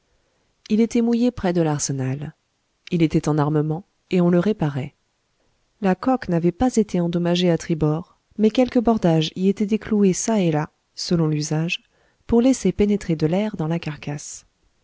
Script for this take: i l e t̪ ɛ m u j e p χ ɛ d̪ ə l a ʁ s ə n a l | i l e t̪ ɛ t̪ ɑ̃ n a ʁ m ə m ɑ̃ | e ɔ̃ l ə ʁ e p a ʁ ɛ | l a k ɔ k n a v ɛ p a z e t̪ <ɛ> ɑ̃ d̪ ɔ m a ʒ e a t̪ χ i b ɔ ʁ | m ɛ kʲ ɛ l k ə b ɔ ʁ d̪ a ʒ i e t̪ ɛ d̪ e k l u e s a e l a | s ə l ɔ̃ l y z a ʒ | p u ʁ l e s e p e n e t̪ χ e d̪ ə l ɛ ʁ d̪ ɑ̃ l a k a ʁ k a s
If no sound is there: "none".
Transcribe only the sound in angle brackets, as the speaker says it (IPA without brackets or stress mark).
e